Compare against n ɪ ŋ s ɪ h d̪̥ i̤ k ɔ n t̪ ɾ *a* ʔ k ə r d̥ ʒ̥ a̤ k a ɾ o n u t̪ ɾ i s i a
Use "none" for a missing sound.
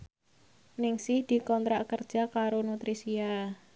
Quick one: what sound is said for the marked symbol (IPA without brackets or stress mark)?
a